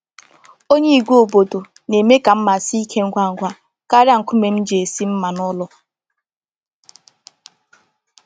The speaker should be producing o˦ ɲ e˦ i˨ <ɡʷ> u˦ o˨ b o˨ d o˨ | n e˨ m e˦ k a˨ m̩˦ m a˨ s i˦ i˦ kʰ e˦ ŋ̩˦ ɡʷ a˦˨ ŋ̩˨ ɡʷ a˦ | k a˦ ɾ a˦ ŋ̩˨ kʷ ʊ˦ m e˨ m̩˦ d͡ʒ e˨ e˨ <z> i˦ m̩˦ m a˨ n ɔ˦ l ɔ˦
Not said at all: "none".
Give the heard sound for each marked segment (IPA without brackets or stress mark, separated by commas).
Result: ɡʷ, s